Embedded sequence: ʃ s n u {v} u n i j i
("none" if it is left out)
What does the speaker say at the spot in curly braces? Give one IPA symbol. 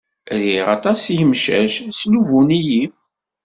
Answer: v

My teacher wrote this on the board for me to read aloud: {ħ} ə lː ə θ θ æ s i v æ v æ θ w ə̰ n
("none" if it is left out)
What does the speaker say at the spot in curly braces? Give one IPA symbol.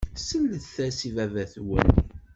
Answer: s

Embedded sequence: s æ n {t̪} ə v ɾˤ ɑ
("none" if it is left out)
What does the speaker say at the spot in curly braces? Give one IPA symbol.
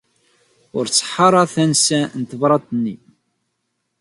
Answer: t̪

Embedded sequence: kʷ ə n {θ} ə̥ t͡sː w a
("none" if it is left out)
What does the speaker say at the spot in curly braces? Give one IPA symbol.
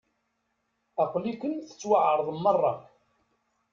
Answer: θ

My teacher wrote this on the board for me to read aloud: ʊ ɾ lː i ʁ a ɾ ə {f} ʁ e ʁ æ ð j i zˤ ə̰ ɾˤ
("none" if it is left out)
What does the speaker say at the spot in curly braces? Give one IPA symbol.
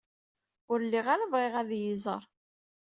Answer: v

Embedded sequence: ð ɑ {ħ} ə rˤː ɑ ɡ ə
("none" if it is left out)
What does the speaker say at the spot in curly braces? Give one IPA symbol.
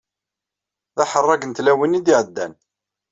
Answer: ħ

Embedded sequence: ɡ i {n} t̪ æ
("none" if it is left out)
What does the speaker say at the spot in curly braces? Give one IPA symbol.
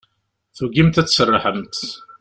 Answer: m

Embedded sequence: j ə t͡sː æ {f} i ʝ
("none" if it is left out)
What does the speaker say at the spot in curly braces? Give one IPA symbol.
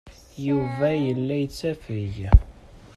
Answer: f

